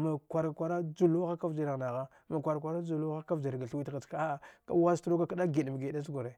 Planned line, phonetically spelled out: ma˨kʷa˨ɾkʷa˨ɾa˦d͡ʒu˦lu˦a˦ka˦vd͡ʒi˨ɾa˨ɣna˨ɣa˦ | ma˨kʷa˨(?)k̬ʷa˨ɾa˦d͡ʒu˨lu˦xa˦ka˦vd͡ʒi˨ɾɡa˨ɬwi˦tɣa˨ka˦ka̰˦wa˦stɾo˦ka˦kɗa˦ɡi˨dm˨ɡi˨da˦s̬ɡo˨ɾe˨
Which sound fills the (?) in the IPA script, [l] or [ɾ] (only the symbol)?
ɾ